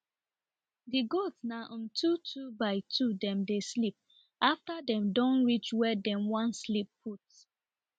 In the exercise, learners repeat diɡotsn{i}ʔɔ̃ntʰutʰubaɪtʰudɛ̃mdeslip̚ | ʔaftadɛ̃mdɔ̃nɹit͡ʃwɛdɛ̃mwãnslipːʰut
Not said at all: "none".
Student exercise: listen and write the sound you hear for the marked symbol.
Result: a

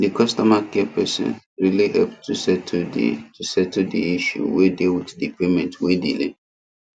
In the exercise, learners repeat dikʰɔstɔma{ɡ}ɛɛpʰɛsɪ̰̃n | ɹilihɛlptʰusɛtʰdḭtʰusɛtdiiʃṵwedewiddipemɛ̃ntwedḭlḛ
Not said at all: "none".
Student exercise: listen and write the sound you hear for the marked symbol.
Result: k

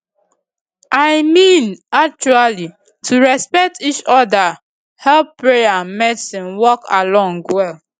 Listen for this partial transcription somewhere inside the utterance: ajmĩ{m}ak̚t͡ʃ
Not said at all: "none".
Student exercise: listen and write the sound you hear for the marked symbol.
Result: n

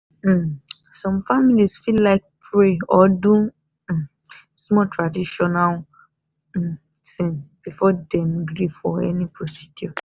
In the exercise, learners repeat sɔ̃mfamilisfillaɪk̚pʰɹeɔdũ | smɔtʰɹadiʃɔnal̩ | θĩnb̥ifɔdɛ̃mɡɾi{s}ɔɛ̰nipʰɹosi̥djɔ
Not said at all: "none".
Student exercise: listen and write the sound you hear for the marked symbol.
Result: f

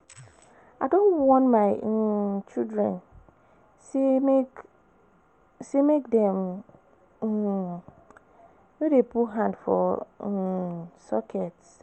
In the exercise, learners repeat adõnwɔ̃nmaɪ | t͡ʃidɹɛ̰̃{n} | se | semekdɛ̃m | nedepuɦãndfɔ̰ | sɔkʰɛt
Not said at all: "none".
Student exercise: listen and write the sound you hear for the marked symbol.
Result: n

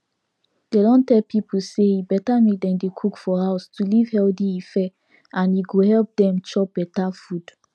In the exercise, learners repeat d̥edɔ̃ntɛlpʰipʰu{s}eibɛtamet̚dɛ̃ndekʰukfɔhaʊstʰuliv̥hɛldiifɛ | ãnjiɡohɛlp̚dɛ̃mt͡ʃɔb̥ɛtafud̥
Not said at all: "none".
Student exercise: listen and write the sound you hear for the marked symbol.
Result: s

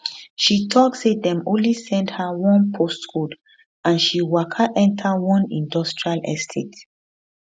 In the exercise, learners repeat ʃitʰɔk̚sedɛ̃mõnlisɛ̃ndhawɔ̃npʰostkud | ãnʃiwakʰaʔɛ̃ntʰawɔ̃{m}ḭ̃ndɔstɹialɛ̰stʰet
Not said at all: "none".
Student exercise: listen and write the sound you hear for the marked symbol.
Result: n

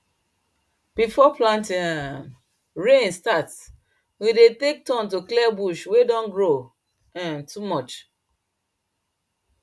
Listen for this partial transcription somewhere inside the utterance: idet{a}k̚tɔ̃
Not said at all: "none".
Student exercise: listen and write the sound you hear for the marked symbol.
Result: e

